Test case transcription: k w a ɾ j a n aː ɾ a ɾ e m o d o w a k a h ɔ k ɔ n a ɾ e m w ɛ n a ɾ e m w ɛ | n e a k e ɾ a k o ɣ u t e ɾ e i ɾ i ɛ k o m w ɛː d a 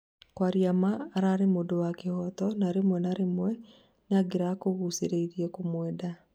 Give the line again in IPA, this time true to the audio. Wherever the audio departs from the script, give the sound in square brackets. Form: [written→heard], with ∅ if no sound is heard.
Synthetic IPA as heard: k w a ɾ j a [n→m] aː ɾ a ɾ e m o d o w a k [a→e] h ɔ [k→t] ɔ n a ɾ e m w ɛ n a ɾ e m w ɛ | n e a [k→ɡ] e ɾ a k o ɣ u [t→s] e ɾ e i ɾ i ɛ k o m w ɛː d a